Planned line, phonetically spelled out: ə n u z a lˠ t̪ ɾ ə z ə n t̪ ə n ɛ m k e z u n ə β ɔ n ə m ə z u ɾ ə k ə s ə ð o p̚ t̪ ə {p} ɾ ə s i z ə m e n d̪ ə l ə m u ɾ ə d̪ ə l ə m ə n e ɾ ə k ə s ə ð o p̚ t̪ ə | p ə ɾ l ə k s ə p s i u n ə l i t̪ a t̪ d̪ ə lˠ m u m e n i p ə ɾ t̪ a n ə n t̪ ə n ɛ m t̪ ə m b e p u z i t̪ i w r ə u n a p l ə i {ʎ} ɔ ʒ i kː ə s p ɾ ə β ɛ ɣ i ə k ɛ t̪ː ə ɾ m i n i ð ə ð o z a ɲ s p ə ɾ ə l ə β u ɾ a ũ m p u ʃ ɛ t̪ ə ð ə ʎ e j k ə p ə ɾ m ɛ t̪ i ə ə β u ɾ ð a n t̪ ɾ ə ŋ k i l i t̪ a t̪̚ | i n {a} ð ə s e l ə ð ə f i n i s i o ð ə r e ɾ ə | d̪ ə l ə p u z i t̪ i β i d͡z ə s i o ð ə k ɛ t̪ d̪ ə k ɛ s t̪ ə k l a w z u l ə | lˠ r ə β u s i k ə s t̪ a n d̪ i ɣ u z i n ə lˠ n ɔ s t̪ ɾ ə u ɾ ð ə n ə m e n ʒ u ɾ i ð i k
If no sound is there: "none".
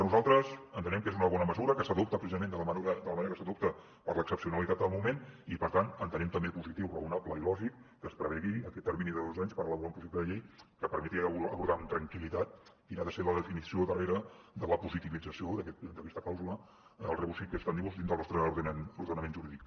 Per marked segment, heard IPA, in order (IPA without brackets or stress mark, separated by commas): p, l, a